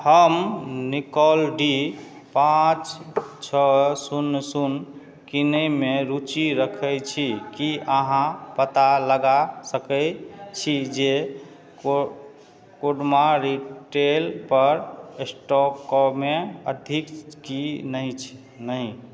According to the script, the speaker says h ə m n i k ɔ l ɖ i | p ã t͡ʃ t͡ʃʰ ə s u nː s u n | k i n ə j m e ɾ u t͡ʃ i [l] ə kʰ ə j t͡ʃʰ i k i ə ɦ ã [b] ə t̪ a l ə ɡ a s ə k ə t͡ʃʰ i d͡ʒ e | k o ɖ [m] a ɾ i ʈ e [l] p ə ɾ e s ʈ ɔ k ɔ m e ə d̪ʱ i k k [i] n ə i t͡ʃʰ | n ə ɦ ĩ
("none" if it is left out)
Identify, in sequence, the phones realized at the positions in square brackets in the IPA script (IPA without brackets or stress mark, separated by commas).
ɾ, p, m, l, i